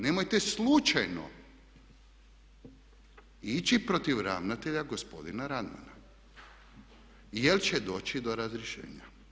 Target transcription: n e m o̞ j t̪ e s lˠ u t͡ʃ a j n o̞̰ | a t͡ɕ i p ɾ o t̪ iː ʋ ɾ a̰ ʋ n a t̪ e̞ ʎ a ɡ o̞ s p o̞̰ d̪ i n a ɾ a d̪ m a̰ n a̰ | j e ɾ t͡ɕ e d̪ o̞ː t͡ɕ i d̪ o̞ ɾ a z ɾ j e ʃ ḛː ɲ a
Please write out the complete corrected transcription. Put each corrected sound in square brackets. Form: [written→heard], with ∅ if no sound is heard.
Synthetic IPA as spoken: n e m o̞ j t̪ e s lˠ u t͡ʃ a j n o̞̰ | [a→i] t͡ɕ i p ɾ o t̪ [iː→i] ʋ ɾ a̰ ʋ n a t̪ e̞ ʎ a ɡ o̞ s p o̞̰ d̪ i n a ɾ a d̪ m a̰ n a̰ | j e [ɾ→l] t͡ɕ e d̪ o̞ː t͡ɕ i d̪ o̞ ɾ a z ɾ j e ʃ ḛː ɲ a